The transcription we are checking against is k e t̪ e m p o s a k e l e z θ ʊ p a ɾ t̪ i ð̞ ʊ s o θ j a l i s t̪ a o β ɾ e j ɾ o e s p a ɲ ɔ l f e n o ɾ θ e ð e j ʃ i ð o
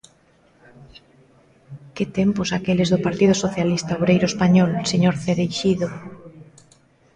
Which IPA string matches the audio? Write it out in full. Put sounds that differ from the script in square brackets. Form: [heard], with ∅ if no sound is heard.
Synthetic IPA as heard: k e t̪ e m p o s a k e l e z [ð] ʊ p a ɾ t̪ i ð̞ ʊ s o θ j a l i s t̪ a o β ɾ e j ɾ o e s p a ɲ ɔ l [s] e [ɲ] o ɾ θ e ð e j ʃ i ð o